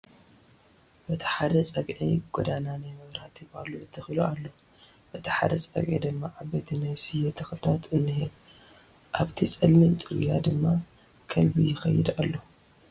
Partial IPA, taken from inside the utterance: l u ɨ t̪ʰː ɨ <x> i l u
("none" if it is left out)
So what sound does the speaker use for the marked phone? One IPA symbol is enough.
x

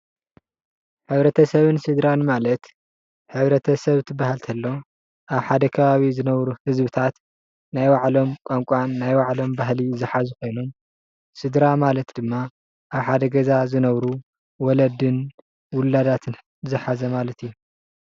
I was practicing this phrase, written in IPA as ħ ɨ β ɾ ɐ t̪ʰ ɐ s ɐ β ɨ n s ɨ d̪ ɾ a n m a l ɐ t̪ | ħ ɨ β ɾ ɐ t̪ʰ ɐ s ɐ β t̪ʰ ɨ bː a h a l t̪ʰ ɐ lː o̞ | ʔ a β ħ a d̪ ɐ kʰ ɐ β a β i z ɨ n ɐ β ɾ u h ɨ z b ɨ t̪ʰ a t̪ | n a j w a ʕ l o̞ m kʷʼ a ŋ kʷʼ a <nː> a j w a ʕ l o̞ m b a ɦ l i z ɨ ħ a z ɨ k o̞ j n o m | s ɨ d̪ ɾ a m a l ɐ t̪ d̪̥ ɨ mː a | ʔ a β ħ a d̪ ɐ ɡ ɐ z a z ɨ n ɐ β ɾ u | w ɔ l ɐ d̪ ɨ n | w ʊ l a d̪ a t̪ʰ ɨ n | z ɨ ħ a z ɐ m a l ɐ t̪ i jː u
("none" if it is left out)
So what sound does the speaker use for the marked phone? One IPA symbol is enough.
nː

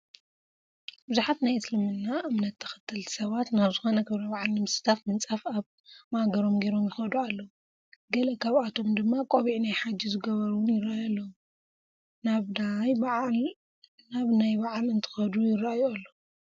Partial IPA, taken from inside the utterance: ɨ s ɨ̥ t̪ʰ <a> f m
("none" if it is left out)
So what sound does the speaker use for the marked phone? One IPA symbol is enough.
a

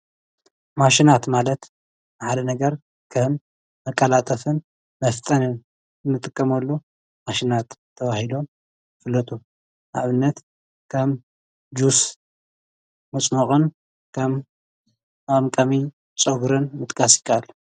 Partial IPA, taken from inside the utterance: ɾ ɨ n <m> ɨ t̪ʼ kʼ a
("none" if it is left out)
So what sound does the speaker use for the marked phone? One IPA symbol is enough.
m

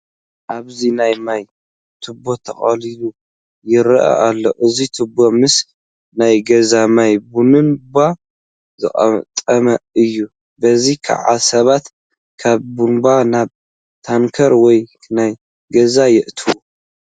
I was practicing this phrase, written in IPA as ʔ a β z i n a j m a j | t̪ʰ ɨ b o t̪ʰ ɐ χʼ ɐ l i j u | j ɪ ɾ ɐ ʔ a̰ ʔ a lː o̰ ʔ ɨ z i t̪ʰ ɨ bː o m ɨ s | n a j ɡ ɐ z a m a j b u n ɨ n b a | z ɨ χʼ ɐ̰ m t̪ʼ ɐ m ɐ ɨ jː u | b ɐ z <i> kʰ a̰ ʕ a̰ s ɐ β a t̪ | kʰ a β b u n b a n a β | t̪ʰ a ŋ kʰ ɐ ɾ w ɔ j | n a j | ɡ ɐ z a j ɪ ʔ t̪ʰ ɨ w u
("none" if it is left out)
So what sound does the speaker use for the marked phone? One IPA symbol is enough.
i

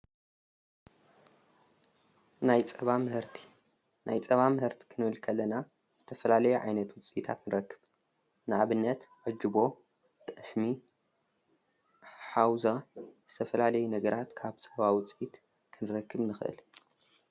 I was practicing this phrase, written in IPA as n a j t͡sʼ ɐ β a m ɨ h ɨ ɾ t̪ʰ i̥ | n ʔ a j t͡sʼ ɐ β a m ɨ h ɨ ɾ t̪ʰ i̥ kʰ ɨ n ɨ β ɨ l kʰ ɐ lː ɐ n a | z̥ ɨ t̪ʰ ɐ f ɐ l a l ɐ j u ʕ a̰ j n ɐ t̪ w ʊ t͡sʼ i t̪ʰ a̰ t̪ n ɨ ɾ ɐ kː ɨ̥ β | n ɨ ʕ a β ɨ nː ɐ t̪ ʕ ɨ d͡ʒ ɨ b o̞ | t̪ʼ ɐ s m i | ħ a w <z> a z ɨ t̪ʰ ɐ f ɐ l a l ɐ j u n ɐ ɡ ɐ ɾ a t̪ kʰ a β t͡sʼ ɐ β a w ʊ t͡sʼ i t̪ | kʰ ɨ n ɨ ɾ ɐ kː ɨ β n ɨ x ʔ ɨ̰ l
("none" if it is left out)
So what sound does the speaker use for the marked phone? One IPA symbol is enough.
z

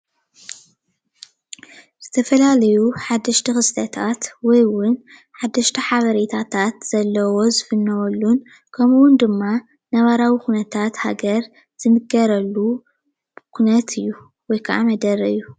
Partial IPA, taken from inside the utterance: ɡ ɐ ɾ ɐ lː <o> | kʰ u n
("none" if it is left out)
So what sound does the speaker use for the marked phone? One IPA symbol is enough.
u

